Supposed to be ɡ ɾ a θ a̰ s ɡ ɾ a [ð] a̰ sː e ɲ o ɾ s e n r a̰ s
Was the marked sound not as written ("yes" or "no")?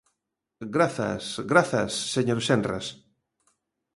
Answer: yes